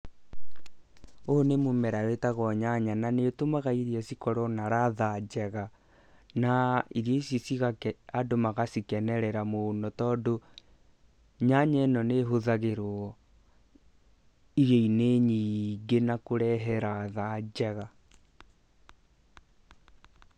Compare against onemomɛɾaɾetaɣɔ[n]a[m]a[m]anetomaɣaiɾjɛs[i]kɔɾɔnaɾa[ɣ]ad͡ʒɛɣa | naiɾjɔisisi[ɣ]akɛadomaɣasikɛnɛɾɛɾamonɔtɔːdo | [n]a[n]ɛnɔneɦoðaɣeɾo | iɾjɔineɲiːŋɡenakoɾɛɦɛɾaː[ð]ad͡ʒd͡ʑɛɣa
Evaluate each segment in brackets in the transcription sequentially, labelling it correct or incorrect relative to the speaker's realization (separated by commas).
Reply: incorrect, incorrect, incorrect, correct, incorrect, correct, incorrect, incorrect, correct